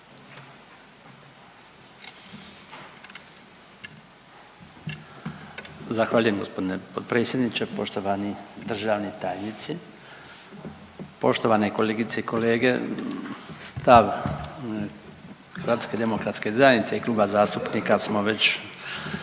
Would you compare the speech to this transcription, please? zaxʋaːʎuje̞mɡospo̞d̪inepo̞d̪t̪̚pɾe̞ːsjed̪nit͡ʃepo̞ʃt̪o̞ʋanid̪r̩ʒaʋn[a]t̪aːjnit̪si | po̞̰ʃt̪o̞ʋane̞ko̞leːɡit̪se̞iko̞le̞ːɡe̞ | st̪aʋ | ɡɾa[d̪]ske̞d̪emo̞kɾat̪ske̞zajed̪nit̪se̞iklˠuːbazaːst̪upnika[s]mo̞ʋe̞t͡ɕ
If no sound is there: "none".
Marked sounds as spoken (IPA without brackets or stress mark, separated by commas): i, t̪, s